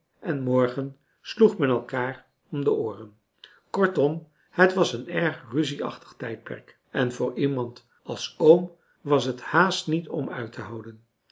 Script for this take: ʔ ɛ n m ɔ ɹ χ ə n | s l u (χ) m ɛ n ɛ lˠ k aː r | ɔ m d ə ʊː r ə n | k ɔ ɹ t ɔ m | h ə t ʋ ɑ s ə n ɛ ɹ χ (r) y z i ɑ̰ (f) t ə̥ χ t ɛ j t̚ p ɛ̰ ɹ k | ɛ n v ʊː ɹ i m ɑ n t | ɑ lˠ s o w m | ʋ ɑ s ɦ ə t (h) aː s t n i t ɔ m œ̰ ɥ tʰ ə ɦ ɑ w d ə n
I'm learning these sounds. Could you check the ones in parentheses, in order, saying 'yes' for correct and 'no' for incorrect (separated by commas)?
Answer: yes, yes, no, yes